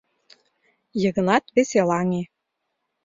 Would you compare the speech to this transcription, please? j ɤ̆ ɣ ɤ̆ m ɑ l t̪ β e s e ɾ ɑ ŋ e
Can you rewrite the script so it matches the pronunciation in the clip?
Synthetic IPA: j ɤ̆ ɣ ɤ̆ n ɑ t̪ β e s e l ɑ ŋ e

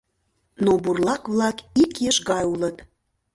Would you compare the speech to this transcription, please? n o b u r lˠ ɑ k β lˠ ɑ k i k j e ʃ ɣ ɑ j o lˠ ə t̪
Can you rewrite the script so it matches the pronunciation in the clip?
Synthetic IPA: n o b u r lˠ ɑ k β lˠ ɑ k i k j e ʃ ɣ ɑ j u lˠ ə t̪

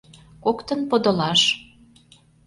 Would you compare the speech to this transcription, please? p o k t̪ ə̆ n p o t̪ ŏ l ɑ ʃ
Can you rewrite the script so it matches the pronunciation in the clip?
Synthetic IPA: k o k t̪ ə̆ n p o d̪ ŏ l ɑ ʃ

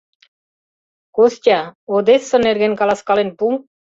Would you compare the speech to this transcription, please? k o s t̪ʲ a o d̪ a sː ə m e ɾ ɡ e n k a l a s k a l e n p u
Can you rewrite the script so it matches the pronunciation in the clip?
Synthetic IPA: k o s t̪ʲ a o d̪ e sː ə n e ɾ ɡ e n k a l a s k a l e n p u

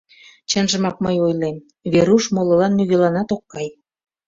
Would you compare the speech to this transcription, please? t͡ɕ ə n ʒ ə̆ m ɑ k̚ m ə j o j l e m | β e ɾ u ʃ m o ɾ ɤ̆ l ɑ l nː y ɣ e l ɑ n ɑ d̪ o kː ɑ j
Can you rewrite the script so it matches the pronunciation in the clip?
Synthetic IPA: t͡ɕ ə n ʒ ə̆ m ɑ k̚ m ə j o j l e m | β e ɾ u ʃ m o l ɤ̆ l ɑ nː y ɣ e l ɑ n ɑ t̪ o kː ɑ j

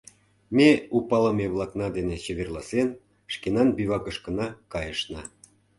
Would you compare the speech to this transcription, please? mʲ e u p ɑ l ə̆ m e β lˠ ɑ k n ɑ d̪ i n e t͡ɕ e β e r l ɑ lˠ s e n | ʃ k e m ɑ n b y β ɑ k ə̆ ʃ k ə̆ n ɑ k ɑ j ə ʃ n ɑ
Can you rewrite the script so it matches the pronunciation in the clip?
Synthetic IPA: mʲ e u p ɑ l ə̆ m e β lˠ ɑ k n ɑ d̪ e n e t͡ɕ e β e r l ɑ s e n | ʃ k e n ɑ n b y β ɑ k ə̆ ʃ k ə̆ n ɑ k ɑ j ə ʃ n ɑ

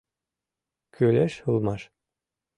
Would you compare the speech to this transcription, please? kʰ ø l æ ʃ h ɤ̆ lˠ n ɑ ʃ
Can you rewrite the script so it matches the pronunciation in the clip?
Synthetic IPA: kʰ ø l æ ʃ h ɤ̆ lˠ m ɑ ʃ

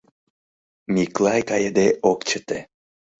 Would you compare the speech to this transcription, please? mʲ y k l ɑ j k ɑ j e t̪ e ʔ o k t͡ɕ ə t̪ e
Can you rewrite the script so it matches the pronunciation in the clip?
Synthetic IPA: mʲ i k l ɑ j k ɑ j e d̪ e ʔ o k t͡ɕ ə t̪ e

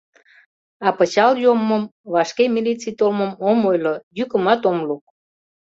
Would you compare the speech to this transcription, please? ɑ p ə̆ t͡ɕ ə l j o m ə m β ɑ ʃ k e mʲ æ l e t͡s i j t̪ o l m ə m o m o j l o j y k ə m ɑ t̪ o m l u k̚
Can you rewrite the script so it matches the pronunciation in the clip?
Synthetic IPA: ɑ p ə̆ t͡ɕ ɑ l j o m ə m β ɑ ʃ k e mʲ i l i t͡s i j t̪ o l m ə m o m o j l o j y k ə m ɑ t̪ o m l u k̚

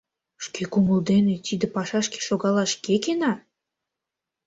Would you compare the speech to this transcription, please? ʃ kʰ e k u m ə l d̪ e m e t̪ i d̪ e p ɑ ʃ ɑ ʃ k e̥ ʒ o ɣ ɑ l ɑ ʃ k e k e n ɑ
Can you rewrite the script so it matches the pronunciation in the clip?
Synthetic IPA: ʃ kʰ e k u m ə l d̪ e n e t̪ i d̪ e p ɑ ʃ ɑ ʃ k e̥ ʃ o ɣ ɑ l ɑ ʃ k e k e n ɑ

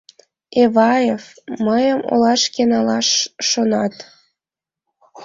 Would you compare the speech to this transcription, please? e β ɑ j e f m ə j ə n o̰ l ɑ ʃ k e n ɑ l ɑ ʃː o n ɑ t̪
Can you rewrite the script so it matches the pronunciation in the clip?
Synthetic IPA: e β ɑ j e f m ə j ə m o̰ l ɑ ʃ k e n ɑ l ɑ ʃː o n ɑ t̪

